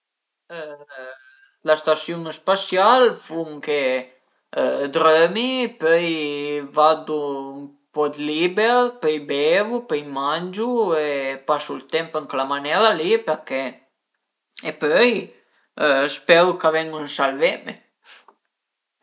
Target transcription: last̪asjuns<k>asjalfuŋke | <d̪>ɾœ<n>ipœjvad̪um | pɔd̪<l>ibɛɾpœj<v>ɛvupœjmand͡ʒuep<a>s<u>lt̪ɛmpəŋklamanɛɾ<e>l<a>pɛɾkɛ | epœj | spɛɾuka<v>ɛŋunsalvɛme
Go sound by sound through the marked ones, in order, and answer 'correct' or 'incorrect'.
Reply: incorrect: p, correct, incorrect: m, correct, incorrect: b, correct, correct, incorrect: a, incorrect: i, correct

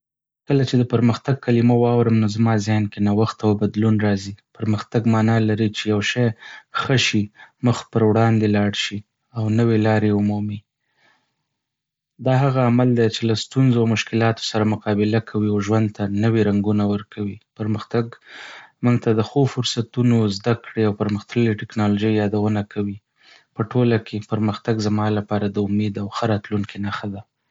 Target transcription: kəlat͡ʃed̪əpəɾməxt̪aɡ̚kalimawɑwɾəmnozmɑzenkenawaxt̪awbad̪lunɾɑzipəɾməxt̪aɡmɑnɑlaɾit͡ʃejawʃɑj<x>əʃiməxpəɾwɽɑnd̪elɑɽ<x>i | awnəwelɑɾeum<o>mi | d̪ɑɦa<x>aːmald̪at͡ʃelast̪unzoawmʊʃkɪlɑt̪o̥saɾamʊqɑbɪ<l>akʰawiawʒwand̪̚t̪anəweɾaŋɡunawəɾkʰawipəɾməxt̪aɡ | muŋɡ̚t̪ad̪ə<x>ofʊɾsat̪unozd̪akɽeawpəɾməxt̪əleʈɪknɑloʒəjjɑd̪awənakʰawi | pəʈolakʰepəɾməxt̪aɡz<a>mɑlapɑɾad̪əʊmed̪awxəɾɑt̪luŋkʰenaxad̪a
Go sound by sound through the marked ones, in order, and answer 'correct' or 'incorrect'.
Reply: correct, incorrect: ʃ, incorrect: u, incorrect: ɣ, correct, correct, correct

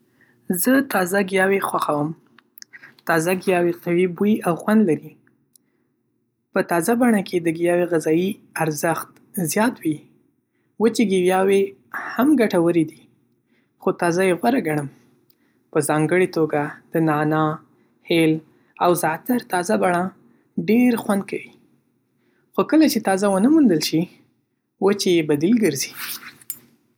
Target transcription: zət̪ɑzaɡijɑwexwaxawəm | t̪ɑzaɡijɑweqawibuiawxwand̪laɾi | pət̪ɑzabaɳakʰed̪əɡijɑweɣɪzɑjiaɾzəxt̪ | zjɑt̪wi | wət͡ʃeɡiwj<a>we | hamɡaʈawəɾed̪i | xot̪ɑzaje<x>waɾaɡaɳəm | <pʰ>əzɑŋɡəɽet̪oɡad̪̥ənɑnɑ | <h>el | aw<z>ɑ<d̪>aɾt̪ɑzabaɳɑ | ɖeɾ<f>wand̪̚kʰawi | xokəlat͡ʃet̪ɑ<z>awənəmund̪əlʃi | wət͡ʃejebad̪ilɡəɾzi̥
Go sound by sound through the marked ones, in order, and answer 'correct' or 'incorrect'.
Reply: incorrect: ɑ, incorrect: ɣ, incorrect: p, correct, correct, incorrect: t̪, incorrect: x, correct

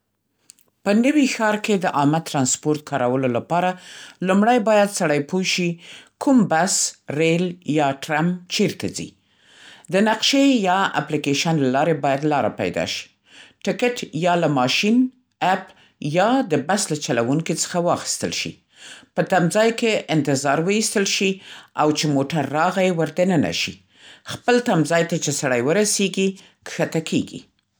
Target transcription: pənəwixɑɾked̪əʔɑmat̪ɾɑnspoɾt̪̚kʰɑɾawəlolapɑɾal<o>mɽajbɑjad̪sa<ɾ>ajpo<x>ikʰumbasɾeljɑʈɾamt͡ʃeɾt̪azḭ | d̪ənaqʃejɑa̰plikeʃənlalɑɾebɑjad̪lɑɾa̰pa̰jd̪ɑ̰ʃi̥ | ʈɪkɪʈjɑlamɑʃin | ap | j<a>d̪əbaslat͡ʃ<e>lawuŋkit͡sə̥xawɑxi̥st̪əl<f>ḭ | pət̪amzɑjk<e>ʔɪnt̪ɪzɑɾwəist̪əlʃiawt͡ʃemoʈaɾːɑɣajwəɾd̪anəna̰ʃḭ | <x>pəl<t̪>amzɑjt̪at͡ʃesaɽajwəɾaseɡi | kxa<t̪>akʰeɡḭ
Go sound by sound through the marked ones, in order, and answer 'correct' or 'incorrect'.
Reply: incorrect: u, incorrect: ɽ, incorrect: ʃ, incorrect: ɑ, incorrect: a, incorrect: ʃ, correct, correct, correct, correct

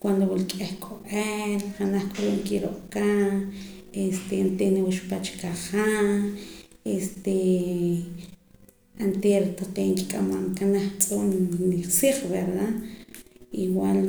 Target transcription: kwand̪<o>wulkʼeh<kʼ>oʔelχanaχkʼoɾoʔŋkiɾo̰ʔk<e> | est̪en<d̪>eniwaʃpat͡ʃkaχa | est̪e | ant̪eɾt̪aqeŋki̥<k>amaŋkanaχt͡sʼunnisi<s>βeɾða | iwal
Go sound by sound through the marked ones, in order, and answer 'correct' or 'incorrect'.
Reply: correct, correct, incorrect: a, incorrect: t̪, incorrect: kʼ, incorrect: χ

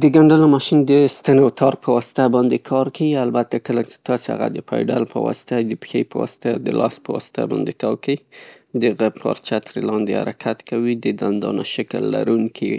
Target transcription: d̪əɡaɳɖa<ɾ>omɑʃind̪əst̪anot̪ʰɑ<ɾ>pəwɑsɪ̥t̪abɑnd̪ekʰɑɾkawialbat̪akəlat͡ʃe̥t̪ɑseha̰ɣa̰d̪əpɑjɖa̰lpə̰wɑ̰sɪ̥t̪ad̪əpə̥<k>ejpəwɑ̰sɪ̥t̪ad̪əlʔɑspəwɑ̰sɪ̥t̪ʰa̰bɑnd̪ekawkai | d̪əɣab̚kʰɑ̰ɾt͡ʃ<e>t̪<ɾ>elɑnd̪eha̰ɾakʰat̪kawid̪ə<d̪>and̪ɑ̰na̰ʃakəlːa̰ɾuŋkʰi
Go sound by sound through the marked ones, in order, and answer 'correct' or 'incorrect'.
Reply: incorrect: l, correct, incorrect: x, incorrect: a, correct, correct

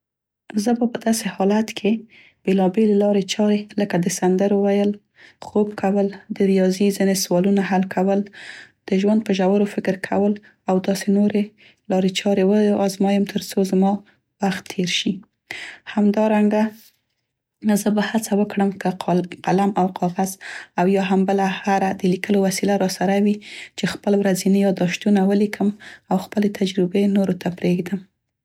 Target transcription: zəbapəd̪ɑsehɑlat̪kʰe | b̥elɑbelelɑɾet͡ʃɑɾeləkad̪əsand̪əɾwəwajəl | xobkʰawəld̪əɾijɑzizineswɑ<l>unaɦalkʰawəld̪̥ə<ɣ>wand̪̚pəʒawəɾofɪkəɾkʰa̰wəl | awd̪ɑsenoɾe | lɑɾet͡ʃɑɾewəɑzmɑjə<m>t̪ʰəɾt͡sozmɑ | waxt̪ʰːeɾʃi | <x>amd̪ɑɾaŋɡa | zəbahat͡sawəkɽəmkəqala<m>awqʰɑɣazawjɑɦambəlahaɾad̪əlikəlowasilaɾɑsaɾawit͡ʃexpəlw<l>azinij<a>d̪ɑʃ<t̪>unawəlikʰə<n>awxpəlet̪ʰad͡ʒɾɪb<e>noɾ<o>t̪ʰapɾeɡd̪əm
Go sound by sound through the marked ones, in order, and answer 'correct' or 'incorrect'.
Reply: correct, incorrect: ʒ, correct, incorrect: h, correct, incorrect: ɾ, incorrect: ɑ, correct, incorrect: m, correct, correct

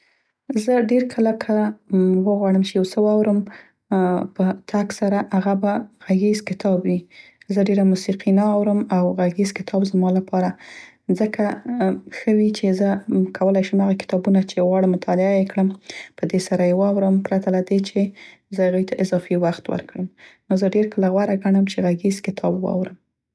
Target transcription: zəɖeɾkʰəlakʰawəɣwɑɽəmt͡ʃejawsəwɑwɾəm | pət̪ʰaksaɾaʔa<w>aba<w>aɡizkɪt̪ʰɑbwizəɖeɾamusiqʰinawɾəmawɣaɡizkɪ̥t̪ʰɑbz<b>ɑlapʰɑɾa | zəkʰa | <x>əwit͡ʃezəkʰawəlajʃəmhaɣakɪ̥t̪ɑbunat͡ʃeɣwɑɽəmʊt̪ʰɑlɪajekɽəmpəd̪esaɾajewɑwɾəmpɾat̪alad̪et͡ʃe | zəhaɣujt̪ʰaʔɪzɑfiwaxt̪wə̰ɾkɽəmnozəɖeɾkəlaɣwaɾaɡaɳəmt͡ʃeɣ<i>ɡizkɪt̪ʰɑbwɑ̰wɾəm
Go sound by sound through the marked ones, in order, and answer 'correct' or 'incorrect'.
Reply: incorrect: ɣ, incorrect: ɣ, incorrect: m, correct, incorrect: a

